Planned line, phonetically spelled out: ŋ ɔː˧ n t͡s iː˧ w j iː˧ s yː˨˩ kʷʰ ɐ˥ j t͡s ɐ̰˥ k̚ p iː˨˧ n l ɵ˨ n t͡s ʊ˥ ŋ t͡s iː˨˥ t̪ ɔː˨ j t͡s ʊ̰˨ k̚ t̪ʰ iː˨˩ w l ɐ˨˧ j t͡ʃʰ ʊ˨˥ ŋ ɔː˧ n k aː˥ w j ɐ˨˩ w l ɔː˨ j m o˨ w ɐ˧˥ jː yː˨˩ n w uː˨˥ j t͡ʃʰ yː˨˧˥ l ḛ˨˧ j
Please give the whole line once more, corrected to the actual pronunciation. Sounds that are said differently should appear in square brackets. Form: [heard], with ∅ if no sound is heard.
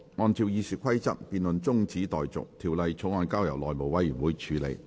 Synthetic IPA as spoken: ŋ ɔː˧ n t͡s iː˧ w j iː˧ s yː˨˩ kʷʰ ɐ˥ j t͡s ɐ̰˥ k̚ p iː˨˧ n l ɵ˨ n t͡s ʊ˥ ŋ t͡s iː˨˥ t̪ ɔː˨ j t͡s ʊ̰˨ k̚ t̪ʰ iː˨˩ w l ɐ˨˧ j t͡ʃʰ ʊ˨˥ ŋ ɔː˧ n k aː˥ w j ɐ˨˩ w l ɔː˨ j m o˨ w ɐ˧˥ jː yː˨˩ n w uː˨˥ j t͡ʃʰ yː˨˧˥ l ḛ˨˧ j